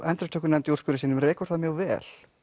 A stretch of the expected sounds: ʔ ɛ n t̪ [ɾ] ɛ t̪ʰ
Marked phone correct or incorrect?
correct